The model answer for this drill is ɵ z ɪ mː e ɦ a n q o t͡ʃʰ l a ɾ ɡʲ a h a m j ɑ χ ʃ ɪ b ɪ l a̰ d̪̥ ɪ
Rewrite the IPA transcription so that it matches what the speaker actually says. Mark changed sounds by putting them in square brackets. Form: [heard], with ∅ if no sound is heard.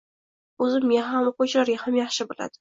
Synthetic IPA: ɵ z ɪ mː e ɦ a [m] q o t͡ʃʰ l a ɾ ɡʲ a h a m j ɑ χ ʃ ɪ b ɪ l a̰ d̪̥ ɪ